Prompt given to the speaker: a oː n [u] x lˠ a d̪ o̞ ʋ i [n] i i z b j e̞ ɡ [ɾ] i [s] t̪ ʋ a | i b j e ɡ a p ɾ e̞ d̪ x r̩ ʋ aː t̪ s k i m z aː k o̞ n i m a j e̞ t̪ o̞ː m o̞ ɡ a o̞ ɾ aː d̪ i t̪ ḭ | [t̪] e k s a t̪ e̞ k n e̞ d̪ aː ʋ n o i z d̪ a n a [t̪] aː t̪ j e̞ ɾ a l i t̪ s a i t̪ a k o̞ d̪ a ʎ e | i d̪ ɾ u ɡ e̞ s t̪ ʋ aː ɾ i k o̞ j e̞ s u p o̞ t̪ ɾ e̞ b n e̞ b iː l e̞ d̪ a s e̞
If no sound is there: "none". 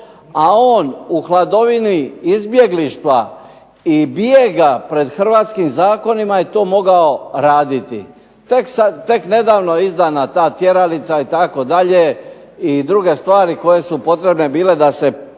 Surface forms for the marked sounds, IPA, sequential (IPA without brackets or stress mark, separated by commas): u, n, l, ʃ, t̪, t̪